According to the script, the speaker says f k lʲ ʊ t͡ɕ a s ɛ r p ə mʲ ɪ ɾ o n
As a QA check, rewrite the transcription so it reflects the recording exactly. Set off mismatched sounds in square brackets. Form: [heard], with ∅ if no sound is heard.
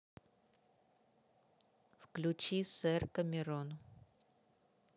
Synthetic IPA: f k lʲ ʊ t͡ɕ [i] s ɛ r [k] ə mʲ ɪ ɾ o n